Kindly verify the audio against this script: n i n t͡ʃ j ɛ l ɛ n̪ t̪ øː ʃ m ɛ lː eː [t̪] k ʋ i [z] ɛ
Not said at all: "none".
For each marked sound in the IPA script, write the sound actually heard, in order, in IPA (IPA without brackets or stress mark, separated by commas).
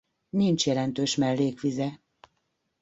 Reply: none, z